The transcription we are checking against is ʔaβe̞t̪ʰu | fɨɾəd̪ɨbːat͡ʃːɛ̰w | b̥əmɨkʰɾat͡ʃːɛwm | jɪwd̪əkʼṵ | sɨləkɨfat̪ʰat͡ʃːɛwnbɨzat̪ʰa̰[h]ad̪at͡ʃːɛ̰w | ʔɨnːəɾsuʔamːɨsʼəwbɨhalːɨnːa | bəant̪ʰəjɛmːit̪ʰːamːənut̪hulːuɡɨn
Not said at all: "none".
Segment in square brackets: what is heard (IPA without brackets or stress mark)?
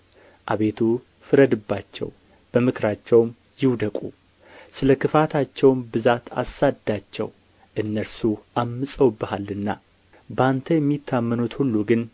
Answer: s